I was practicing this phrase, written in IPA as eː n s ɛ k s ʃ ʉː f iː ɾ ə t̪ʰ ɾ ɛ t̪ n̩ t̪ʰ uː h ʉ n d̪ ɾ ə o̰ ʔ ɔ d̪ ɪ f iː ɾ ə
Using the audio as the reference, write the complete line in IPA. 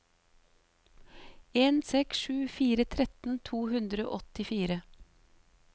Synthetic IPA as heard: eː n s ɛ k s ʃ ʉː f iː ɾ ə t̪ʰ ɾ ɛ t̪ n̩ t̪ʰ uː h ʉ n d̪ ɾ ə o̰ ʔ ɔ t̪ ɪ f iː ɾ ə

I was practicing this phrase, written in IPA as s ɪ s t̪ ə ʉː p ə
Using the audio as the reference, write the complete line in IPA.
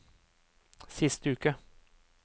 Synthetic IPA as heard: s ɪ s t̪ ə ʉː k ə

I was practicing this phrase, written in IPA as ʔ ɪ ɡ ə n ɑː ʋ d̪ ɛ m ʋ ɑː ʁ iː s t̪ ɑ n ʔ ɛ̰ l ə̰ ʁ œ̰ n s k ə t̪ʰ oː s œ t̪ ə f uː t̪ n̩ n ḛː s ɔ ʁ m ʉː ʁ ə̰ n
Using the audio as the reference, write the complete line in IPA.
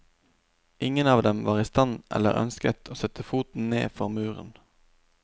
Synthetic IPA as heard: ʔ ɪ ŋ ə n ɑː ʋ d̪ ɛ m ʋ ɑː ʁ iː s t̪ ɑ n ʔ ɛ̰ l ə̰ ʁ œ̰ n s k ə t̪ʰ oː s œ t̪ ə f uː t̪ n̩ n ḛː f ɔ ʁ m ʉː ʁ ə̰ n

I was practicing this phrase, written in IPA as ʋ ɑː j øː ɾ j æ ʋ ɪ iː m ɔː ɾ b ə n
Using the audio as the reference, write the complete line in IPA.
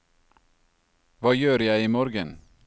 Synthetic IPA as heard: ʋ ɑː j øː ɾ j æ ɪ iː m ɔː ɾ ɡ ə n

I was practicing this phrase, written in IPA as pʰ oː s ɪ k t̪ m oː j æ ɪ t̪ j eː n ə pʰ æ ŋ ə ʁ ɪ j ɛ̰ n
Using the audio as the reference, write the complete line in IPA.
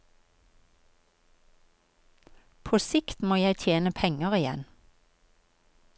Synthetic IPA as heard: pʰ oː s ɪ k t̪ m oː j æ ɪ t̪ʰ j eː n ə pʰ ɛ ŋ ə ʁ ɪ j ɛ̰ n

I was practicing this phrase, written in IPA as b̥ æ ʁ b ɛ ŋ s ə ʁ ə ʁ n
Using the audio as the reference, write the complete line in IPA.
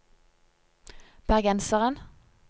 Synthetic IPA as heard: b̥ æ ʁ ɡ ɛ n s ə ʁ ə n

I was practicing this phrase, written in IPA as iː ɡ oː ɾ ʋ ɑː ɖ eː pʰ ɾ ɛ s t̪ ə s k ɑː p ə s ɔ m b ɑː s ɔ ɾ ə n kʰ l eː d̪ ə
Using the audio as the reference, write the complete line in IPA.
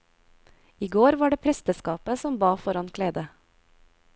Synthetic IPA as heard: iː ɡ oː ɾ ʋ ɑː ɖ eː pʰ ɾ ɛ s t̪ ə s k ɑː p ə s ɔ m b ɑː f ɔ ɾ ɑ n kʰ l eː d̪ ə

